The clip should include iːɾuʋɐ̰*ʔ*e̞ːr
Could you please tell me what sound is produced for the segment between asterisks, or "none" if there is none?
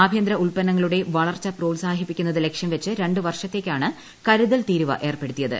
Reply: ʔ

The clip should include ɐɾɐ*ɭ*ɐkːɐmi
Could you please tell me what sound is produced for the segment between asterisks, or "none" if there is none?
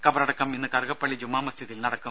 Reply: ɽ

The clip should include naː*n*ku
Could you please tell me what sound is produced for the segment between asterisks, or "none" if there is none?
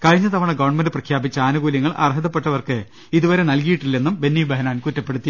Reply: n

